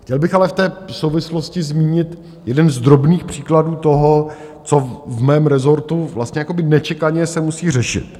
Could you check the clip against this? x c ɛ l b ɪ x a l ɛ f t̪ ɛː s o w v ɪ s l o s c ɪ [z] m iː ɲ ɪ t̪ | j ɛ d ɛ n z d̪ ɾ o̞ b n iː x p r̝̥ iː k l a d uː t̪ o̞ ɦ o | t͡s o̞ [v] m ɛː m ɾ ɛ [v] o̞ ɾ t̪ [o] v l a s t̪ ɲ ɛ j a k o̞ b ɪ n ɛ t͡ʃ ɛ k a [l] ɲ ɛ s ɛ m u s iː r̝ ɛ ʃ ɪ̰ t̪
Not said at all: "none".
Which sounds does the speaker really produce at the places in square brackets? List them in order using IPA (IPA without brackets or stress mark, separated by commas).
z, v, z, u, none